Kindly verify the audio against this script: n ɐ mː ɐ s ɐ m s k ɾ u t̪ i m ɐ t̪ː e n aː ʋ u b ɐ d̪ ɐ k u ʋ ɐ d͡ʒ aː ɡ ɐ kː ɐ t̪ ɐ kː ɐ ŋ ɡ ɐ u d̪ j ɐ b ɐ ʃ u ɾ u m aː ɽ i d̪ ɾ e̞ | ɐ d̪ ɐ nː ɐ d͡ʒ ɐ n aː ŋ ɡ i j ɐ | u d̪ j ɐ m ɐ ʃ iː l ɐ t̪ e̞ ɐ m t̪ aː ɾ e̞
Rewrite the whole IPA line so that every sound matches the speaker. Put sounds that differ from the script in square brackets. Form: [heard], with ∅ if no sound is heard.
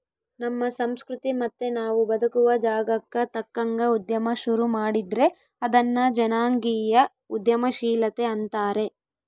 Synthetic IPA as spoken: n ɐ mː ɐ s ɐ m s k ɾ u t̪ i m ɐ t̪ː e n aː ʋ u b ɐ d̪ ɐ k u ʋ ɐ d͡ʒ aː ɡ ɐ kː ɐ t̪ ɐ kː ɐ ŋ ɡ ɐ u d̪ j ɐ [m] ɐ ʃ u ɾ u m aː ɽ i d̪ ɾ e̞ | ɐ d̪ ɐ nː ɐ d͡ʒ ɐ n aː ŋ ɡ i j ɐ | u d̪ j ɐ m ɐ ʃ iː l ɐ t̪ e̞ ɐ [n] t̪ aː ɾ e̞